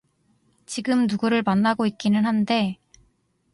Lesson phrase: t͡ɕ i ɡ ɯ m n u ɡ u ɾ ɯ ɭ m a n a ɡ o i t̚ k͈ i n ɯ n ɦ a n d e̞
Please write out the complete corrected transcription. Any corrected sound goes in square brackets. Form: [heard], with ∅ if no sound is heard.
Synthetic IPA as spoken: t͡ɕ i ɡ ɯ m n u ɡ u ɾ ɯ ɭ m a [nː] a ɡ o i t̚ k͈ i n ɯ n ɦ a n d e̞